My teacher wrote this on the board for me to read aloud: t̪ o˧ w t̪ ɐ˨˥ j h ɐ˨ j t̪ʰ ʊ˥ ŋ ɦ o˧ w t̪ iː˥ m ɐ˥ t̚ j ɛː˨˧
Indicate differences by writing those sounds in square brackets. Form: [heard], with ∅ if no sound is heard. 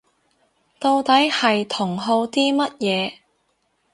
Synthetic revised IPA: t̪ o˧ w t̪ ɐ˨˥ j h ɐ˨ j t̪ʰ [ʊ˨˩] ŋ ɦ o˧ w t̪ iː˥ m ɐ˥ t̚ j ɛː˨˧